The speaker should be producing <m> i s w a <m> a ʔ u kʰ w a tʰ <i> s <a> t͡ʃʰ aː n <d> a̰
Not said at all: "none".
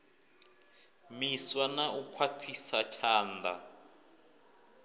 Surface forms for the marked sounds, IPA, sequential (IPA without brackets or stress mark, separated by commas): m, n, i, a, d